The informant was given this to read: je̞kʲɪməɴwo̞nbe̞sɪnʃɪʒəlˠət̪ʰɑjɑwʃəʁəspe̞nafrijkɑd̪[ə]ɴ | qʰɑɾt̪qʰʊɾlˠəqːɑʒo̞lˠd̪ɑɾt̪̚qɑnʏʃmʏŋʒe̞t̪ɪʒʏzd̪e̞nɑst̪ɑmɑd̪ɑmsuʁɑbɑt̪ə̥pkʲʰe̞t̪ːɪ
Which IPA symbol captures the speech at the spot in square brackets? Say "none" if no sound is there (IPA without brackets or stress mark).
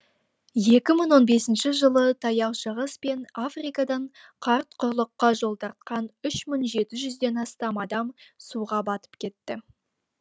ɑ